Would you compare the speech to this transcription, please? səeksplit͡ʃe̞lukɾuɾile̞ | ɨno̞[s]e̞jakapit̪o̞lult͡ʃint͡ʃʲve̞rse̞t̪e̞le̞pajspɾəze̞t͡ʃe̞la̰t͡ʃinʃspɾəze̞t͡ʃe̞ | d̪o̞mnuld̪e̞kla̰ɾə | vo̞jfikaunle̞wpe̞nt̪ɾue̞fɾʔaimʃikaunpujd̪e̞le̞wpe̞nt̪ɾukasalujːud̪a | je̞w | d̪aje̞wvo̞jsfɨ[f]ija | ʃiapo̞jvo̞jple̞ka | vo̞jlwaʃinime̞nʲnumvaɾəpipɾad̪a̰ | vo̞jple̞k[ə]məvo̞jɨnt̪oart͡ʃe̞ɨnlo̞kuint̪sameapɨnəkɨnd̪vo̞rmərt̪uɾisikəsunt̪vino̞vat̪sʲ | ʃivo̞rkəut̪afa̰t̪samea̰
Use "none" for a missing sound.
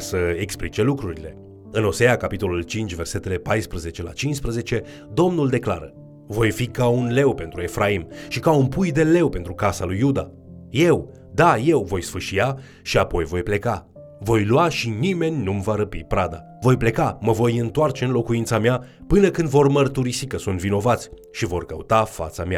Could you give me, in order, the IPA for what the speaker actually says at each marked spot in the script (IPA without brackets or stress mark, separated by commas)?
s, ʃ, a